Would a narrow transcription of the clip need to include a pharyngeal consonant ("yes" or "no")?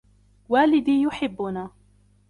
yes